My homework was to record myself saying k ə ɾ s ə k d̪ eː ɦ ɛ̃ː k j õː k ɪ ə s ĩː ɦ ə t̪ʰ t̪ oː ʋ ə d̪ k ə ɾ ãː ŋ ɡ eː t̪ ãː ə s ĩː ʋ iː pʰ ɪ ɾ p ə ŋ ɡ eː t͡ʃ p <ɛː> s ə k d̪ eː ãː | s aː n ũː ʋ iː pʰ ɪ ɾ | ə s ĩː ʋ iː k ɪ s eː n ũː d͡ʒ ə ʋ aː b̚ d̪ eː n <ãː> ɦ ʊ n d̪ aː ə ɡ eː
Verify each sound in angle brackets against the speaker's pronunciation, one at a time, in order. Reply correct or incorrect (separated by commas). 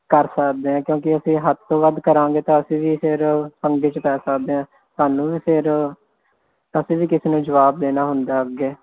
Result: correct, incorrect